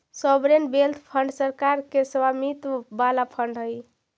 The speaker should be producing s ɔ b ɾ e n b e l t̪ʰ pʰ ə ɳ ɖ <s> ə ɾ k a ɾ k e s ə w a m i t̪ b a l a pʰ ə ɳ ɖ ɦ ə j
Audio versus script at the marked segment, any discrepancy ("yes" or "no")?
no